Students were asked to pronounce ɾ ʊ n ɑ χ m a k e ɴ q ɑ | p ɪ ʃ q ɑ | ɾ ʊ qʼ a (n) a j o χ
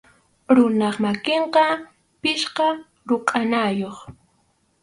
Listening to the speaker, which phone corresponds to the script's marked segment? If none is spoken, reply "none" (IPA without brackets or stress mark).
n